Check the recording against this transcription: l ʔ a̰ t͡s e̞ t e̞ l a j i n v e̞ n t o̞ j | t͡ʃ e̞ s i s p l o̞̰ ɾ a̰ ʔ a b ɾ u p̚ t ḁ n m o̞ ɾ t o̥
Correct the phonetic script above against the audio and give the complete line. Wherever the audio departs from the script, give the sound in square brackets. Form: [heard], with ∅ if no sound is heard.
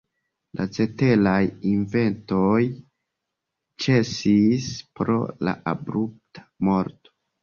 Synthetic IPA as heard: l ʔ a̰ t͡s e̞ t e̞ l a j i n v e̞ n t o̞ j | t͡ʃ e̞ s i s p [ɾ] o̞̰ [l] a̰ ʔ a b ɾ u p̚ t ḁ [∅] m o̞ ɾ t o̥